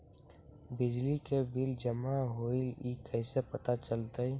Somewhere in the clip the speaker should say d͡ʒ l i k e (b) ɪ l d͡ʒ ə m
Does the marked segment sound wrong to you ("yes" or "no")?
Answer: no